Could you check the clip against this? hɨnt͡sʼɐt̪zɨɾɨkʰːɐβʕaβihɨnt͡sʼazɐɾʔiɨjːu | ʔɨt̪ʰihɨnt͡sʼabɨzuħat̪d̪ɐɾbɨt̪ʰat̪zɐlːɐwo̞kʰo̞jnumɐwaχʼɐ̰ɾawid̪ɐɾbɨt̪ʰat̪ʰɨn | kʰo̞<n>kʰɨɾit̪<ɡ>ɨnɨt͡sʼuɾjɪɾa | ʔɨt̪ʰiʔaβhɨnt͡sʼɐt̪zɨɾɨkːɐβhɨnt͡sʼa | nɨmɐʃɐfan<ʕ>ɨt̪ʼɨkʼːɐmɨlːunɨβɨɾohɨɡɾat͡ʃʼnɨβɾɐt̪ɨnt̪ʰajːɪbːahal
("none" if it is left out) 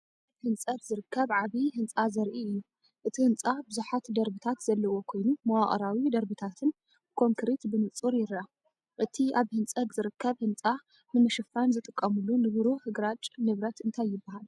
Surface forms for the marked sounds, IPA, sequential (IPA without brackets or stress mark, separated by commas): ŋ, b, z